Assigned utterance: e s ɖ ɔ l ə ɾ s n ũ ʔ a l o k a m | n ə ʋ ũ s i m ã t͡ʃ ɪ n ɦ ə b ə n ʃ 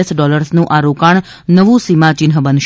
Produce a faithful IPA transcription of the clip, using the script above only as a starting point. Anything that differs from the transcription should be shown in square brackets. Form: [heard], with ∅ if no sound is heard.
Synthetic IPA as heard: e s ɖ ɔ l ə ɾ s n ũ ʔ a [ɾ] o k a [ɳ] | n ə ʋ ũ s i m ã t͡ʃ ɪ n ɦ ə b ə n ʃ

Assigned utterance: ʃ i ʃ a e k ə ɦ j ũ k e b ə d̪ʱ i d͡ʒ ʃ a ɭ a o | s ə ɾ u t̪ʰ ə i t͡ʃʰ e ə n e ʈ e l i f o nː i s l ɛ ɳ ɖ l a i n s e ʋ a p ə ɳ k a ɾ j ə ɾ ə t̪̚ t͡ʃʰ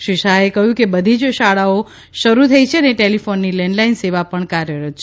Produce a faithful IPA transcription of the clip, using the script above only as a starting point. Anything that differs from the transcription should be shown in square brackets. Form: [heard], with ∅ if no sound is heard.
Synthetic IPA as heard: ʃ i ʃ a e k ə ɦ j ũ k e b ə d̪ʱ i d͡ʒ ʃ a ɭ a o | [ʃ] ə ɾ u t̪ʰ ə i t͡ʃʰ e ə n e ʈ e l i f o nː i [∅] l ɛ ɳ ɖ l a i n s e ʋ a p ə ɳ k a ɾ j ə ɾ ə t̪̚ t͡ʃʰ

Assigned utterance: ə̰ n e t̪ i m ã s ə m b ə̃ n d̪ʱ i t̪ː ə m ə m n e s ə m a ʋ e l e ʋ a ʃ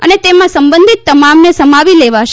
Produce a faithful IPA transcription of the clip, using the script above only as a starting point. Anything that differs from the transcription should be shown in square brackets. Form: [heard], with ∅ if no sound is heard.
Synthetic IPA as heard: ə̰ n e t̪ [e] m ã s ə m b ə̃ n d̪ʱ i t̪ː ə m [a] m n e s ə m a ʋ [i] l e ʋ a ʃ

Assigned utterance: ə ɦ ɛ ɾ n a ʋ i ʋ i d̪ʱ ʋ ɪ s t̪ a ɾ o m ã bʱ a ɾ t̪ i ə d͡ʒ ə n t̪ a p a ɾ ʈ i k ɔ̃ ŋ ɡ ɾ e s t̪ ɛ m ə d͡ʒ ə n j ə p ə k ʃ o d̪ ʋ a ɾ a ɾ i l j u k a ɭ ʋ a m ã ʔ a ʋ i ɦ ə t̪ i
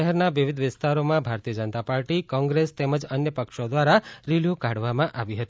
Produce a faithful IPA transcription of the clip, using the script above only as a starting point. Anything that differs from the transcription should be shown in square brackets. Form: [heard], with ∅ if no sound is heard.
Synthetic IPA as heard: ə ɦ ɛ ɾ n a ʋ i ʋ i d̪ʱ ʋ ɪ s t̪ a ɾ o m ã bʱ a ɾ t̪ i ə d͡ʒ ə n t̪ a p a ɾ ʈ i k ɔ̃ ŋ ɡ ɾ e s t̪ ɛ m ə d͡ʒ ə n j ə p ə k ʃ o d̪ ʋ a ɾ a ɾ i l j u k a [ɽ] ʋ a m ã ʔ a ʋ i ɦ ə t̪ i

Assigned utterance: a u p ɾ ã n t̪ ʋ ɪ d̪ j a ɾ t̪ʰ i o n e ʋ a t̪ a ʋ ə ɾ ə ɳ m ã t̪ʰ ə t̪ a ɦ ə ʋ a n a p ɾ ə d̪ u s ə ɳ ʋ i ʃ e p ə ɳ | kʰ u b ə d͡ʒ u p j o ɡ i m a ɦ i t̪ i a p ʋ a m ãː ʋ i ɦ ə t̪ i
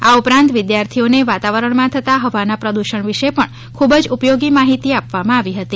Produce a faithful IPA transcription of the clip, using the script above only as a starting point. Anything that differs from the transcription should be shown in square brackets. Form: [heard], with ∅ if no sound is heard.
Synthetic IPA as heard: a u p ɾ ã n t̪ ʋ ɪ d̪ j a ɾ t̪ʰ i o n e ʋ a t̪ a ʋ ə ɾ ə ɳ m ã t̪ʰ ə t̪ a ɦ ə ʋ a n a p ɾ ə d̪ u [ʃ] ə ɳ ʋ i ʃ e p ə ɳ | kʰ u b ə d͡ʒ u p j o ɡ i m a ɦ i t̪ i a p ʋ a m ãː ʋ i ɦ ə t̪ i

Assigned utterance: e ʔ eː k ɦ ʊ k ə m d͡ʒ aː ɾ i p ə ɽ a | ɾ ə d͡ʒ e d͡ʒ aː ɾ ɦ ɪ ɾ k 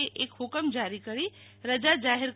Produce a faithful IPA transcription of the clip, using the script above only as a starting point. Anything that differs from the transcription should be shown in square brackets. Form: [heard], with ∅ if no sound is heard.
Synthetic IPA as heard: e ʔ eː k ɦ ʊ k ə m d͡ʒ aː ɾ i [k] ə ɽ [i] | ɾ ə d͡ʒ [a] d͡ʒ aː [∅] ɦ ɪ ɾ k

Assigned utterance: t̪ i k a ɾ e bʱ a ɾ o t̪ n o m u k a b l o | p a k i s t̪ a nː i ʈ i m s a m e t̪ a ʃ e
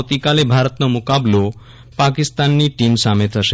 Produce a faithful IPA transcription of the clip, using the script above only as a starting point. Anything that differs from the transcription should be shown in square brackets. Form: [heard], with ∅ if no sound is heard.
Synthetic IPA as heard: t̪ i k a [l] e bʱ a ɾ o t̪ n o m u k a b l o | p a k i s t̪ a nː i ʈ i m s a m e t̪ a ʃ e

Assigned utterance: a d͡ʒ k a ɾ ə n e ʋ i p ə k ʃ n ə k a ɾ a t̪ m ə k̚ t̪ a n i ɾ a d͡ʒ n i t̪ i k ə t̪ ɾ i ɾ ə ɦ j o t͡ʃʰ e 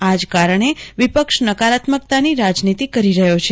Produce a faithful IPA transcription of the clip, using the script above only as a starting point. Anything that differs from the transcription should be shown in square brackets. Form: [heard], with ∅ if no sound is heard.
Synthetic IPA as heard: a d͡ʒ k a ɾ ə [ɳ] e ʋ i p ə k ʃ n ə k a ɾ a t̪ m ə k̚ t̪ a n i ɾ a d͡ʒ n i t̪ i k ə [∅] ɾ i ɾ ə ɦ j o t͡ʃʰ e

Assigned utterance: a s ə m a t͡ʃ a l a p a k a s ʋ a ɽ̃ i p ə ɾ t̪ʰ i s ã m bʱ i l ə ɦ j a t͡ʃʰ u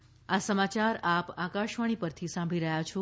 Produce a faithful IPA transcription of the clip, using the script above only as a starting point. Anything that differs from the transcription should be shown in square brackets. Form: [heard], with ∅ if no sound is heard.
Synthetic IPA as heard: a s ə m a t͡ʃ a [ɾ] a p a k a [ʃ] ʋ a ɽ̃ i p ə ɾ t̪ʰ i s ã m bʱ i [ɾ] ə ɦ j a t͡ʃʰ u

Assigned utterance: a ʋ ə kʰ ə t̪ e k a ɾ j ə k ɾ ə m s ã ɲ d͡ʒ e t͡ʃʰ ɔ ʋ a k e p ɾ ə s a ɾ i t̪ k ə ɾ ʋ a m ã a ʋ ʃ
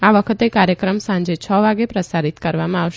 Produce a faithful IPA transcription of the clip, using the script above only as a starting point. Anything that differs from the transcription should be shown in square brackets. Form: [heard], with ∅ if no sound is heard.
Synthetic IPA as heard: a ʋ ə kʰ ə t̪ e k a ɾ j ə k ɾ ə m s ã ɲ d͡ʒ e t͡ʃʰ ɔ ʋ a [ɡ] e p ɾ ə s a ɾ i t̪ k ə ɾ ʋ a m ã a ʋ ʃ

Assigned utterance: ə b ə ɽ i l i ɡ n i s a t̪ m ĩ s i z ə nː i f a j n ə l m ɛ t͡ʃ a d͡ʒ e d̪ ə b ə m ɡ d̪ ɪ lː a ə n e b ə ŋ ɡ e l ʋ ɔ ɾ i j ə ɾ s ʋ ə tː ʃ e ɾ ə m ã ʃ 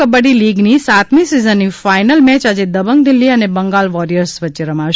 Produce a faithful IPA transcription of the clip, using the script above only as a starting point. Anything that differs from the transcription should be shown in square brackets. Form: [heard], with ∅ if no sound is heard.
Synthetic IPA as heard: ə b ə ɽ i l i ɡ n i s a t̪ m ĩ s i z ə nː i f a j n ə l m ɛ t͡ʃ a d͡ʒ e d̪ ə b ə [ŋ] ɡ d̪ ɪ lː [i] ə n e b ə ŋ ɡ [a] l ʋ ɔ ɾ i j ə ɾ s ʋ ə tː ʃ e ɾ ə m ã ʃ

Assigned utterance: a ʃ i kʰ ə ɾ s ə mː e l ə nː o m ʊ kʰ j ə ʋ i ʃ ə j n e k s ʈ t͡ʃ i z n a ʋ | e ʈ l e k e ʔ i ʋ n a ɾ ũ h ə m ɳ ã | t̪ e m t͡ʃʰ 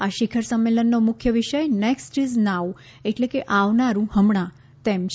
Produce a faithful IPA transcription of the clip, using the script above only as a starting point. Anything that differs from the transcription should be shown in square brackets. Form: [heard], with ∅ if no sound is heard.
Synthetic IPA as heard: a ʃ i kʰ ə ɾ s ə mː e l ə nː o m ʊ kʰ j ə ʋ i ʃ ə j n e k s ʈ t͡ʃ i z n a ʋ | e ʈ l e k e ʔ [a] ʋ n a ɾ ũ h ə m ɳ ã | t̪ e m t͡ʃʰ

